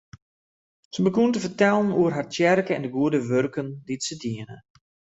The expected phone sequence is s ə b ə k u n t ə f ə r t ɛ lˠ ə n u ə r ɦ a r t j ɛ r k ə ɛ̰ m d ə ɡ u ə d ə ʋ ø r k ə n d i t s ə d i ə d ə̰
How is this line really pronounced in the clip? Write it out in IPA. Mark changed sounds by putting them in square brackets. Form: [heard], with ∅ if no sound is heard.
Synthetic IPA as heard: s ə b ə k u n t ə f ə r t ɛ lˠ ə n u ə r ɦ a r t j ɛ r k ə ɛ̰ [n] d ə ɡ u ə d ə ʋ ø r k ə n d i t s ə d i ə [n] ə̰